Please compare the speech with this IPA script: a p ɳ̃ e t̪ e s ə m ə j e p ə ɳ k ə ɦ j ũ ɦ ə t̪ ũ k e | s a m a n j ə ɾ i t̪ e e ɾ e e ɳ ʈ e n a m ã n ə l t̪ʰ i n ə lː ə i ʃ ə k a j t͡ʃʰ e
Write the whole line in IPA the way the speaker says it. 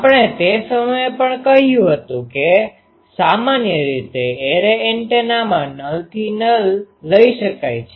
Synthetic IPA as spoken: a p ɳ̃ e t̪ e s ə m ə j e p ə ɳ k ə ɦ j ũ ɦ ə t̪ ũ k e | s a m a n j ə ɾ i t̪ e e ɾ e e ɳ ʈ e n a m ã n ə l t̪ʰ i n ə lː ə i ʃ ə k a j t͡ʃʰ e